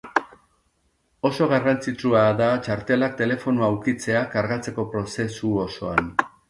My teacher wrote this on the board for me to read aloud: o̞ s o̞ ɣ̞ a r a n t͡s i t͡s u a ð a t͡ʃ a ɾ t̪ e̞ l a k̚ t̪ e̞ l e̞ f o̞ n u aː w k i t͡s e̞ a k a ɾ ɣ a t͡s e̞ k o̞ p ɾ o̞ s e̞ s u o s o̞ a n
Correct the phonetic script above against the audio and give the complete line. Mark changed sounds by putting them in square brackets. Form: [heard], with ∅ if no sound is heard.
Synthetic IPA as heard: o̞ s o̞ ɣ̞ a r a n t͡s i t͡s u a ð a t͡ʃ a ɾ t̪ e̞ l a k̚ t̪ e̞ l e̞ f o̞ n u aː w k i t͡s e̞ a k a ɾ ɣ a t͡s e̞ k o̞ p ɾ o̞ s e̞ s u o s o̞ a n